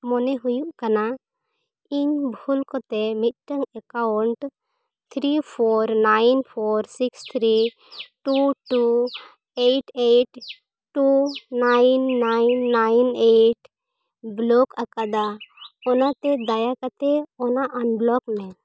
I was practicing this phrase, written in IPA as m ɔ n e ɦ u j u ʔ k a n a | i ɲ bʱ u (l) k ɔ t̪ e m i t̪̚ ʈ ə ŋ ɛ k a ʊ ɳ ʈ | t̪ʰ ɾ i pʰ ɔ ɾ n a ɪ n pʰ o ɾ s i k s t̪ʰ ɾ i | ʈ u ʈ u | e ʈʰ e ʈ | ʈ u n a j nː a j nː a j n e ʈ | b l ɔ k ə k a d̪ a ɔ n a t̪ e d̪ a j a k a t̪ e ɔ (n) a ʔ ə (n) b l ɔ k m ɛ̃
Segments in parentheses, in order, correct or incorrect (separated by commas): correct, correct, correct